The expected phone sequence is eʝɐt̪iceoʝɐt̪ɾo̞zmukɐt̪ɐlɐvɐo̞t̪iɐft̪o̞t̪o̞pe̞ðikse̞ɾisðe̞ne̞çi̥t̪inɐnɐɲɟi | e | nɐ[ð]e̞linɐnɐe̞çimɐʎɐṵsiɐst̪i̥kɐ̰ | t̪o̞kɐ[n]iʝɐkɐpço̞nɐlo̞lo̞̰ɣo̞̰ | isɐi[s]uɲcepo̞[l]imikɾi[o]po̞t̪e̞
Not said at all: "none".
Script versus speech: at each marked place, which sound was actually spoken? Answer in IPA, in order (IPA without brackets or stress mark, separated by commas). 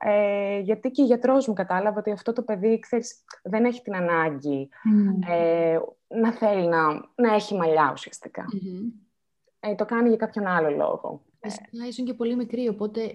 θ, n, s, l, o